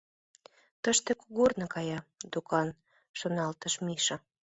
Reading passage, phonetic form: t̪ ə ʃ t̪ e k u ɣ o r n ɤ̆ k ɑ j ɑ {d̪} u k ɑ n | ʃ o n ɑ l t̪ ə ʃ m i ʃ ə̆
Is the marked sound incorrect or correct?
correct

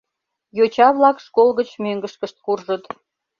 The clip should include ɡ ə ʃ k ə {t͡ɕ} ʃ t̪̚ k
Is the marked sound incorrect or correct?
incorrect: none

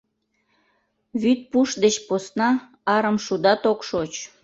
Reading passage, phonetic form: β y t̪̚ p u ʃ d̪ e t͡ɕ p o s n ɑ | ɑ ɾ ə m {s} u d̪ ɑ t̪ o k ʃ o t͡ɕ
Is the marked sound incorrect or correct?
incorrect: ʃ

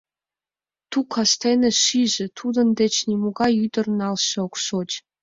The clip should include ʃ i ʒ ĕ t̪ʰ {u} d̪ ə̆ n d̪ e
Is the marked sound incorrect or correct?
correct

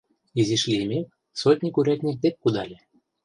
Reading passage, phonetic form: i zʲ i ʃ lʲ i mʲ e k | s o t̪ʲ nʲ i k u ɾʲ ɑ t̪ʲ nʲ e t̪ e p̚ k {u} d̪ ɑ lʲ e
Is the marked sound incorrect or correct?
correct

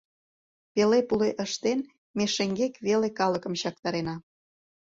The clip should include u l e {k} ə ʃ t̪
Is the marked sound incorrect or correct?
incorrect: ʔ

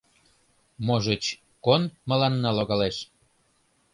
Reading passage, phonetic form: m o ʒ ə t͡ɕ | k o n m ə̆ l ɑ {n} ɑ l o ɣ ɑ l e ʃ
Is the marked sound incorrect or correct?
incorrect: nː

